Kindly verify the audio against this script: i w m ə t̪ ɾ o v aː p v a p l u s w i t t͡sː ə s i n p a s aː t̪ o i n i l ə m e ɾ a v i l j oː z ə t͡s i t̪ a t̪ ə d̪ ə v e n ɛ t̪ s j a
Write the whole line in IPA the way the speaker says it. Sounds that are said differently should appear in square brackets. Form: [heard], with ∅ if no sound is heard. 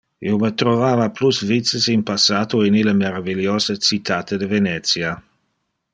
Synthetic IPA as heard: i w m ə t̪ ɾ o v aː [∅] v a p l u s [v] i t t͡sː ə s i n p a s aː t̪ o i n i l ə m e ɾ a v i l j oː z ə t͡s i t̪ a t̪ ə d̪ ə v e n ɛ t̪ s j a